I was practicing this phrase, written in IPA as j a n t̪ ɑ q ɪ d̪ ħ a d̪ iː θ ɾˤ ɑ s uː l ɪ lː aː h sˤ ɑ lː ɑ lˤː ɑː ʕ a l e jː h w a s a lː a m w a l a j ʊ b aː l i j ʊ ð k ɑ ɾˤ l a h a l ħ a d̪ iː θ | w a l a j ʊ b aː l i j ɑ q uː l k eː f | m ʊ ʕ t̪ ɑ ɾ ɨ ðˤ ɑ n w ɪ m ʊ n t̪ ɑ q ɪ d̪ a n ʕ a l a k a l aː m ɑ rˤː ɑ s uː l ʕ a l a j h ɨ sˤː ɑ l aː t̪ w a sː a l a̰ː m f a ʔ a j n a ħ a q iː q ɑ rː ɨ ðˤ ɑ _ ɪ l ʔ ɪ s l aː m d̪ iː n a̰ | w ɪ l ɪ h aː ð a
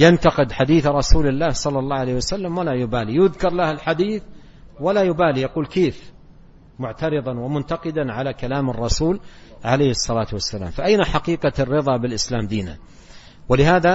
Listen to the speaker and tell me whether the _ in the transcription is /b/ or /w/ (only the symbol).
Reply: b